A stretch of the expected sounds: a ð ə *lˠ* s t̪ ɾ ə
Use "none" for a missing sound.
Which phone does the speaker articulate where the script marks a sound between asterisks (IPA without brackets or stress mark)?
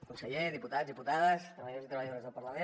none